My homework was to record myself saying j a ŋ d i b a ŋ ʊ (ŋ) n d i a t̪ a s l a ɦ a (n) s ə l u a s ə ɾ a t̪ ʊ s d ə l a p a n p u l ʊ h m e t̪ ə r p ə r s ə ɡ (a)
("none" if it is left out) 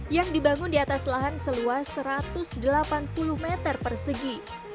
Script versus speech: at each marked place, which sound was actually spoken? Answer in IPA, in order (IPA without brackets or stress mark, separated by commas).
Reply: none, n, i